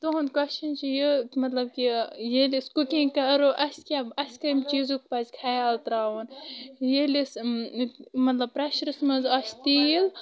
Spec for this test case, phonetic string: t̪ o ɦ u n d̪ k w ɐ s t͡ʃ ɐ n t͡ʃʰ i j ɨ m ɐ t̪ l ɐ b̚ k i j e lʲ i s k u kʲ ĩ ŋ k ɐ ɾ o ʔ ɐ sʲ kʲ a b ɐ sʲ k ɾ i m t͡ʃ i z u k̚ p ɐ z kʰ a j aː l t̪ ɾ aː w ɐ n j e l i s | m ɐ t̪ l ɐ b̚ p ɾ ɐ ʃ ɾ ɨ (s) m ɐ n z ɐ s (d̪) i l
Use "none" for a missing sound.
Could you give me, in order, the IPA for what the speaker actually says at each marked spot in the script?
s, t̪

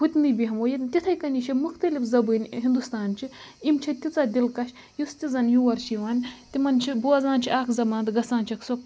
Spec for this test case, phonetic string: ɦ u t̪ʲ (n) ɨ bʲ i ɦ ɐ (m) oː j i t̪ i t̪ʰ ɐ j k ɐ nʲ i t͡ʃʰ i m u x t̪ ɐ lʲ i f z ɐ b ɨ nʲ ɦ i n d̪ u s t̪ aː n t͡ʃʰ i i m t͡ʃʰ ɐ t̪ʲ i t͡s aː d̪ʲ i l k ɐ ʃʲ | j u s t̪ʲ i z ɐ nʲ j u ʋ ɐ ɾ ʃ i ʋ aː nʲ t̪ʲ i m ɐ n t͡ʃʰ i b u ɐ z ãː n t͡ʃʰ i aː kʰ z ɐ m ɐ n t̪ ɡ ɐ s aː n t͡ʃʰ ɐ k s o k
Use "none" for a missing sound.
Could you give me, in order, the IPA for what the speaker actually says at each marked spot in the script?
n, m

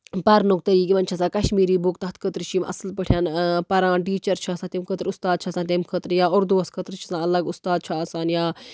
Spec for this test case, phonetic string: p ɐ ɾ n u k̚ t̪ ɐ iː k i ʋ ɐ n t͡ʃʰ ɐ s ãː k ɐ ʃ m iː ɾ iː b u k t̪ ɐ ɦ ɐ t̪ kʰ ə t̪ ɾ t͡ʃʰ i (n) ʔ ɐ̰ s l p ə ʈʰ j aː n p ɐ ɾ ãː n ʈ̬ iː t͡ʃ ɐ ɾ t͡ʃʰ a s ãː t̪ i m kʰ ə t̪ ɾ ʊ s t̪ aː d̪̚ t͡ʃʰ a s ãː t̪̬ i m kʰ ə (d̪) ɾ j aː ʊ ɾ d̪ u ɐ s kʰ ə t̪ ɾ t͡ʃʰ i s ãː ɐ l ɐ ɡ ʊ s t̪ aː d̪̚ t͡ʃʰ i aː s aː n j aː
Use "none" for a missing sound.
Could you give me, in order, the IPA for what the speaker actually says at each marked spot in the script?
m, t̪

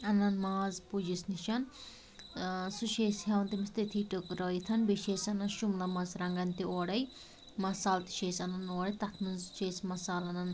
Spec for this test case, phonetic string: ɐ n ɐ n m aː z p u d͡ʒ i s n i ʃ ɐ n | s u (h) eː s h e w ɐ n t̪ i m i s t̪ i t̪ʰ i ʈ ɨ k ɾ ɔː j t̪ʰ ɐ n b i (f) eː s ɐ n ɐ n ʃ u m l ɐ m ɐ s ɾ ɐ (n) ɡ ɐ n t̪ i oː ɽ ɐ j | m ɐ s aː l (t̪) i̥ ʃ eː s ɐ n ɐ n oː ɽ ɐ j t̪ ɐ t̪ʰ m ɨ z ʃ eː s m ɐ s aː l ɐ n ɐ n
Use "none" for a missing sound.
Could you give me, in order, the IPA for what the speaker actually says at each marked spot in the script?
ʃ, ʃ, ŋ, t̪

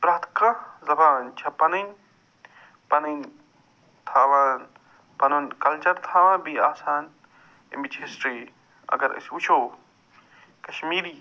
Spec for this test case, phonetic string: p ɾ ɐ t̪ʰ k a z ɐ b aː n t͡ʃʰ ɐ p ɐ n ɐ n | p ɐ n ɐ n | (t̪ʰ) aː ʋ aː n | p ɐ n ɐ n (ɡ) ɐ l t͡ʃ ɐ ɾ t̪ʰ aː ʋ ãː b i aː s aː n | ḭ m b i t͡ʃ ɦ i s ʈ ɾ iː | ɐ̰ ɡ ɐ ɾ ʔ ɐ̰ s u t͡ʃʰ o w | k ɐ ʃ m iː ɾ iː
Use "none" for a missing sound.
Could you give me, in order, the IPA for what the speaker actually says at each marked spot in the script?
t̪ʰ, k

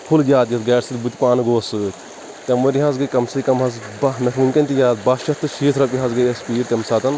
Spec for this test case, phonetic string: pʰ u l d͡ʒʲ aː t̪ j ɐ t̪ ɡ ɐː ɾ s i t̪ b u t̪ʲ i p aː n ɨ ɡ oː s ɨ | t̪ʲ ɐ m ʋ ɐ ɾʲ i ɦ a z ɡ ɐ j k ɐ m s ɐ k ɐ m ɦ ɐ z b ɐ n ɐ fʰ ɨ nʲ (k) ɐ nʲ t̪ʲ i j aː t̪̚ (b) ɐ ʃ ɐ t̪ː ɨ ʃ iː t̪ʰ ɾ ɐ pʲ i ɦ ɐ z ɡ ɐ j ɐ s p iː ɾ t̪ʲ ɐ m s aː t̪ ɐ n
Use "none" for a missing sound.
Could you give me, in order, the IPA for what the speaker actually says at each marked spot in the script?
k, b

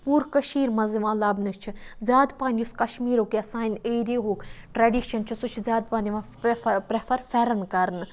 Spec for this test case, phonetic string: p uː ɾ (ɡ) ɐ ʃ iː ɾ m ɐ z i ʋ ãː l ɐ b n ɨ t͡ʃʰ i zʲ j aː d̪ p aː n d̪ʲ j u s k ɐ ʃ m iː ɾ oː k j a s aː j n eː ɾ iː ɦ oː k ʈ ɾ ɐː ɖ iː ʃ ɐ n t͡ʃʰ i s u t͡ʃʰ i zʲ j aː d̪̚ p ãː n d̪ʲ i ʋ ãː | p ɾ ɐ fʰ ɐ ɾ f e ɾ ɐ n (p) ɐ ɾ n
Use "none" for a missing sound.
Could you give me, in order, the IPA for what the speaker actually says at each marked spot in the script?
k, k

